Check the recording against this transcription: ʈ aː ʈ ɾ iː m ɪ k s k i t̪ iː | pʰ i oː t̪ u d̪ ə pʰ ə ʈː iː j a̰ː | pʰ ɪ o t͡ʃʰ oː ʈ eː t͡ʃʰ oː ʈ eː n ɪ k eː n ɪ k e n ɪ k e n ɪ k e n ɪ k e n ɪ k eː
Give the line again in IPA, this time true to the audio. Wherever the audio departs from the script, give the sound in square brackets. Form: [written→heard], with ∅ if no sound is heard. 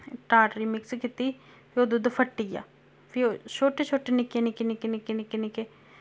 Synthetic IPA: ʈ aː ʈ ɾ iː m ɪ k s k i t̪ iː | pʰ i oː [t̪→d̪] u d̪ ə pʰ ə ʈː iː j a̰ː | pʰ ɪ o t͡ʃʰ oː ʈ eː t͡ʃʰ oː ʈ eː n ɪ k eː n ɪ k e n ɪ k e n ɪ k e n ɪ k e n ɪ k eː